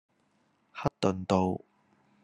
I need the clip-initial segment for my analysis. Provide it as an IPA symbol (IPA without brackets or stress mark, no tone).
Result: h